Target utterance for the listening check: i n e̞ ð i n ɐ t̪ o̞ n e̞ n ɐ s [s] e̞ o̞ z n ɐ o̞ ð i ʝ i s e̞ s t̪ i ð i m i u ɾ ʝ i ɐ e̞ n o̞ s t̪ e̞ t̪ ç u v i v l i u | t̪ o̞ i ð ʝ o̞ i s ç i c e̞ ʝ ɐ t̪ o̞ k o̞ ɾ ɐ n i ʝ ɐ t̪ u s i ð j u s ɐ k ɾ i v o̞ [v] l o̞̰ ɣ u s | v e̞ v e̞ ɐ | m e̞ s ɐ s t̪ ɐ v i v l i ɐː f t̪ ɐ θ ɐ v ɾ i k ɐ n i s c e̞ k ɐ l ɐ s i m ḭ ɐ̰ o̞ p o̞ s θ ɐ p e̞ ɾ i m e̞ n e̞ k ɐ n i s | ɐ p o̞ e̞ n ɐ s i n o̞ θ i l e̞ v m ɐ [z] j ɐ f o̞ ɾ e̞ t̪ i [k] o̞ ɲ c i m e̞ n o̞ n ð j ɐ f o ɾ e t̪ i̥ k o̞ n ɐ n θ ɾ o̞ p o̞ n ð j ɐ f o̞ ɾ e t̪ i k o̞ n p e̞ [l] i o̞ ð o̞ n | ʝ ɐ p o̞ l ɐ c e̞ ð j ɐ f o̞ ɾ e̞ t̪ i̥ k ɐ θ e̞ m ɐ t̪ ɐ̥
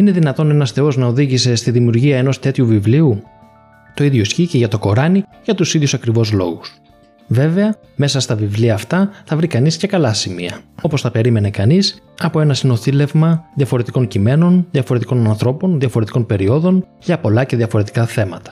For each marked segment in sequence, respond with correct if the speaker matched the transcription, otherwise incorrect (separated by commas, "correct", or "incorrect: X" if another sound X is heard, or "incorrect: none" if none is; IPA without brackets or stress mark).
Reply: incorrect: θ, incorrect: z, incorrect: ð, correct, incorrect: ɾ